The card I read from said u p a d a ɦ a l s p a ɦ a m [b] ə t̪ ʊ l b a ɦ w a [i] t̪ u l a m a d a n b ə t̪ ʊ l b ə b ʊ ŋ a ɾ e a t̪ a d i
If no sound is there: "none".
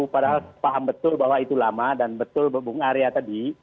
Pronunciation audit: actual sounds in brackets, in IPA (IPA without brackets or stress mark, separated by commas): b, i